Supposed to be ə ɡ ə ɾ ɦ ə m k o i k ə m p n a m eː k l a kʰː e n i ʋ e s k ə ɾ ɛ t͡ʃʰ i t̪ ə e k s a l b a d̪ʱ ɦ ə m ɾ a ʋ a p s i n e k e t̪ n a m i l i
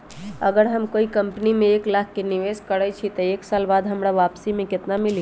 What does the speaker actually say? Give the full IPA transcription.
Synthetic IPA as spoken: ə ɡ ə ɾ ɦ ə m k o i k ə m p n i m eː k l a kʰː e n i ʋ e s k ə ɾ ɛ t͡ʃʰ i t̪ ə e k s a l b a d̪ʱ ɦ ə m ɾ a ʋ a p s i m e k e t̪ n a m i l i